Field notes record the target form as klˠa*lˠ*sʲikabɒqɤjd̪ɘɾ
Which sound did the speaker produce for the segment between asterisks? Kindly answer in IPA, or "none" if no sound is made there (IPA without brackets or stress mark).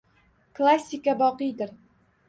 none